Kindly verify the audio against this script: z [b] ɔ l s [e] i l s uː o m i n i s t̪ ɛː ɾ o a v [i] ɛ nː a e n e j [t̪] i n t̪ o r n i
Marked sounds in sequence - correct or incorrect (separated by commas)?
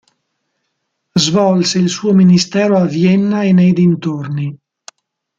incorrect, correct, incorrect, incorrect